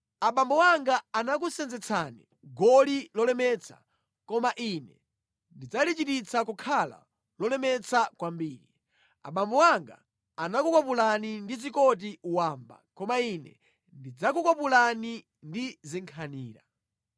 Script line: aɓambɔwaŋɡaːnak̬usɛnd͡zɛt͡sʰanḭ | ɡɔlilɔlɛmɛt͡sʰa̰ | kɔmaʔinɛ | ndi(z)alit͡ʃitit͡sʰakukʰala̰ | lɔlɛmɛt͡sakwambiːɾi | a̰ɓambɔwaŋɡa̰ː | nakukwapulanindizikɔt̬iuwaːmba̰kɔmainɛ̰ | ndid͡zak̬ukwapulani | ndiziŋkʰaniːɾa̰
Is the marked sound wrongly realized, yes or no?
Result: yes